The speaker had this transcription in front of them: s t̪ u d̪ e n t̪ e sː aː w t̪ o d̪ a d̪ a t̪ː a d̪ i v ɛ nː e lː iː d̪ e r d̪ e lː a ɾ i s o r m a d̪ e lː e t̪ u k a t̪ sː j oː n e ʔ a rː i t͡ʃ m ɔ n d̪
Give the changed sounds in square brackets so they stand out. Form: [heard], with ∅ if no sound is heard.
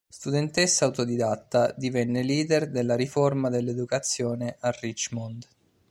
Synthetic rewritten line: s t̪ u d̪ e n t̪ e sː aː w t̪ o d̪ [i] d̪ a t̪ː a d̪ i v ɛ nː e [l] iː d̪ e r d̪ e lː a ɾ i [f] o r m a d̪ e lː e [d̪] u k a t̪ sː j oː n e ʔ a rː i t͡ʃ m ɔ n d̪